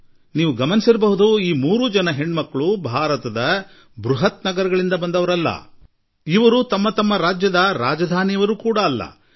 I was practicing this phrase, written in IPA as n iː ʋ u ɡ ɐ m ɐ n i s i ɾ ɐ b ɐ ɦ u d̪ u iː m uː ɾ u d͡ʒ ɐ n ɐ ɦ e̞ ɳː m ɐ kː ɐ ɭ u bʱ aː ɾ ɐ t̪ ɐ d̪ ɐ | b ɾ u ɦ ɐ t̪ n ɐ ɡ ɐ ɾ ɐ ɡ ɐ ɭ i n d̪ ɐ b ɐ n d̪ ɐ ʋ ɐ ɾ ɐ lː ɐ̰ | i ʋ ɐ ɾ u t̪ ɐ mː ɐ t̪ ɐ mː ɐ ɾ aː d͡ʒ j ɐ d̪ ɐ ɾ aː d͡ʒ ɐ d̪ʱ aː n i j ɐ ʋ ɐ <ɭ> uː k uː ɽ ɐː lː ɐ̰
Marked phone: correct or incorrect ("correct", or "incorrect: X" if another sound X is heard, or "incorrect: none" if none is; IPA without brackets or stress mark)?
incorrect: ɾ